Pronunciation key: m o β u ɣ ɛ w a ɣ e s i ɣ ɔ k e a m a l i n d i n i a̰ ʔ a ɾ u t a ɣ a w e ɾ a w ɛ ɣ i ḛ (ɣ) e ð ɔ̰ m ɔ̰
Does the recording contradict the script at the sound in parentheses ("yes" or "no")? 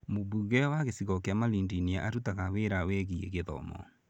no